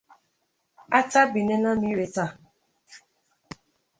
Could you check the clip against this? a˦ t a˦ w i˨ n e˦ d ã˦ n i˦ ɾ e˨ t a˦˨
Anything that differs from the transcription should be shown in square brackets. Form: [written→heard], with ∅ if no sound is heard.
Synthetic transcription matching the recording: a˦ t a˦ [w→b] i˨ n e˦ [d→n] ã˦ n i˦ ɾ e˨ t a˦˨